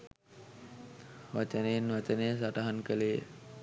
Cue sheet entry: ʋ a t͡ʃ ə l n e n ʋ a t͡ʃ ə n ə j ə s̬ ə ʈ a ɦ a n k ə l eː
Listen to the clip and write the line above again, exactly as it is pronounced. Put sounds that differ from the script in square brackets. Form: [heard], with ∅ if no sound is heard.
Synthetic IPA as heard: ʋ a t͡ʃ ə [∅] n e n ʋ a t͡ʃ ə n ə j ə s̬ [a] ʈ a ɦ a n k ə l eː